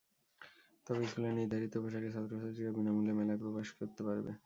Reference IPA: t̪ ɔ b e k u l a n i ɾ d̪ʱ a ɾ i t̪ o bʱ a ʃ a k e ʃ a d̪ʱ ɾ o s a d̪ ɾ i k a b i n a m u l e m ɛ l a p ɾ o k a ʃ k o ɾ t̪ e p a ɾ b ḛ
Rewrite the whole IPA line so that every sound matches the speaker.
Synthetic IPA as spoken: t̪ ɔ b e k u l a n i ɾ d̪ʱ a ɾ i t̪ o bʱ a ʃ a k e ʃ a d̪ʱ ɾ o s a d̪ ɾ i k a b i n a m u l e m ɛ l a p ɾ o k a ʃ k o ɾ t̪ e p a ɾ b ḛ